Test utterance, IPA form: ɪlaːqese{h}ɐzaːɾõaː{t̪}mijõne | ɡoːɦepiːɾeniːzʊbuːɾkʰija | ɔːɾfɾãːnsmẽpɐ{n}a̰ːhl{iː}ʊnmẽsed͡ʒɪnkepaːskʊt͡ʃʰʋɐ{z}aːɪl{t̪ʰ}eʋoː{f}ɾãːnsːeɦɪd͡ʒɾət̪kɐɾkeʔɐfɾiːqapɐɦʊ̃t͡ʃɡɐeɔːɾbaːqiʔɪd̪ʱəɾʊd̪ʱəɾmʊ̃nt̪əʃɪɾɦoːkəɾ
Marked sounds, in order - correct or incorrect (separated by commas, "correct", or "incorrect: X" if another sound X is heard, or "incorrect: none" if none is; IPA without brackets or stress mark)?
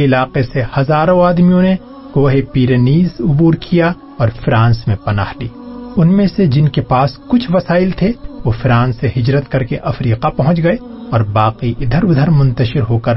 correct, incorrect: d̪, correct, correct, incorrect: s, correct, correct